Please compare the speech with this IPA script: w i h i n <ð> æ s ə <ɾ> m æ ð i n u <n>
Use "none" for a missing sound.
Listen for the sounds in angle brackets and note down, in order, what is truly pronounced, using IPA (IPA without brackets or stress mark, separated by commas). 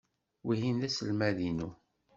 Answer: ð, l, none